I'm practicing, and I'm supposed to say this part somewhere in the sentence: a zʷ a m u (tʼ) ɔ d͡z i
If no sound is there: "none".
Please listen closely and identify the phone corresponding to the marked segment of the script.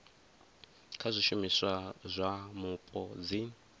pʼ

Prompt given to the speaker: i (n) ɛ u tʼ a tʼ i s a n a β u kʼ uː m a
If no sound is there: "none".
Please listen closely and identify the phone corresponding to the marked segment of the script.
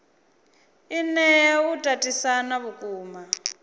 n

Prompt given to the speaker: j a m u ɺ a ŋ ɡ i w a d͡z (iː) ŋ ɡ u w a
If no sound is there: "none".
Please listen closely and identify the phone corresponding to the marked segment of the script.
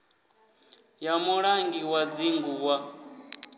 i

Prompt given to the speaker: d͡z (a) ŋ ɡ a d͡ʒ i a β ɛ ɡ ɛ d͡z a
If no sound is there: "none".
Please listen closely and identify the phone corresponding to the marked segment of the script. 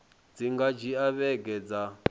i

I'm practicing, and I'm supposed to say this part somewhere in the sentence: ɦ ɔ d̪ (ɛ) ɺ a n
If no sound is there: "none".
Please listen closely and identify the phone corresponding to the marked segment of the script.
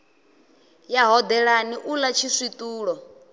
ɛ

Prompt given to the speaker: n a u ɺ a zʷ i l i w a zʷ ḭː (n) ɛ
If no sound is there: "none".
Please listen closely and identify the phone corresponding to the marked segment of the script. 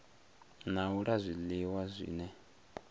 n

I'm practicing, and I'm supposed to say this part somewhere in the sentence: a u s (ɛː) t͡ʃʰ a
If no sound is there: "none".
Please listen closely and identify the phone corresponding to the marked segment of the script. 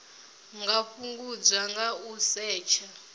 ɛː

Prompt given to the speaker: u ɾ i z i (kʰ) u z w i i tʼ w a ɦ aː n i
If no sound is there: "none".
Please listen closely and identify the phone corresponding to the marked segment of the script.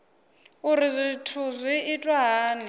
tʰ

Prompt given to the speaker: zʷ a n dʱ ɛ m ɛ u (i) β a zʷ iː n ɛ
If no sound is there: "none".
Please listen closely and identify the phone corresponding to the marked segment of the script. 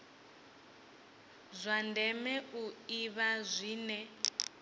i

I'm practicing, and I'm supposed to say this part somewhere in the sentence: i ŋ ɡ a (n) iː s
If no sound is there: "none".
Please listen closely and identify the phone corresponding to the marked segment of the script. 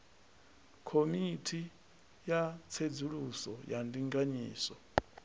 ɲ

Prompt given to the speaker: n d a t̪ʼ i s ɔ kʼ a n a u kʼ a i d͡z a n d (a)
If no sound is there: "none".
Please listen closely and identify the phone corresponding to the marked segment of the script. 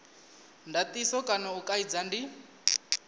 i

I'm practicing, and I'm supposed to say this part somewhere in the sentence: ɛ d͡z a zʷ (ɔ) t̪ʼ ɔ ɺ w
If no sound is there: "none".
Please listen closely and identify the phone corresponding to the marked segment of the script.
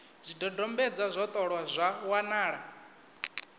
ɔ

